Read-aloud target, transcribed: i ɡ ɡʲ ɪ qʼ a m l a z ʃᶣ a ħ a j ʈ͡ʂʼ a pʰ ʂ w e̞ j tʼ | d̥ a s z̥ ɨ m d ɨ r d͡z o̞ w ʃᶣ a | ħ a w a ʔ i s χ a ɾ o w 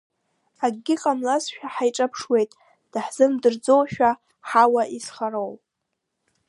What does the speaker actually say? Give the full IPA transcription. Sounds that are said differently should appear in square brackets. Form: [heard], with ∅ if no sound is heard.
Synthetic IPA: [a] ɡ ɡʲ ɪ qʼ a m l a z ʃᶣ a ħ a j ʈ͡ʂʼ a pʰ ʂ w e̞ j tʼ | d̥ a [ħ] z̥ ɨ m d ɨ r d͡z o̞ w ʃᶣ a | ħ a w a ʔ i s χ a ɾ o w